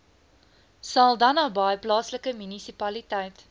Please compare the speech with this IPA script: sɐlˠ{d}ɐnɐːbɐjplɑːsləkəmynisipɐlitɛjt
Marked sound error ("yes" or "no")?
no